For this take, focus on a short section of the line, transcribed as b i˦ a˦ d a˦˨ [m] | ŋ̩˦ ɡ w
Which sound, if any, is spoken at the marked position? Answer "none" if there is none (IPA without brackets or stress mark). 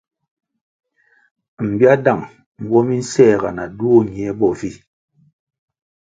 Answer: ŋ